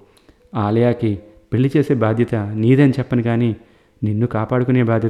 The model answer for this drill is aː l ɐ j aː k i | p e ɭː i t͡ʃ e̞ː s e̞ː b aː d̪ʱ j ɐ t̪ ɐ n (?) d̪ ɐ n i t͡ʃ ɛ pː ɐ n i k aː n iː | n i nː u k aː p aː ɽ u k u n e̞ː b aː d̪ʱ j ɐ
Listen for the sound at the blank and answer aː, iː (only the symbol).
iː